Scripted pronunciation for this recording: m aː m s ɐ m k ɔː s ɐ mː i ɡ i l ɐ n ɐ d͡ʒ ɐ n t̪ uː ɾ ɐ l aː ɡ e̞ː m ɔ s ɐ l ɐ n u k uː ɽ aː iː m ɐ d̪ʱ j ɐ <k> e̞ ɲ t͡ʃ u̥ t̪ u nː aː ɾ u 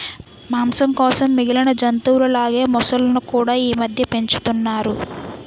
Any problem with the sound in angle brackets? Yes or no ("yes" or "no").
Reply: yes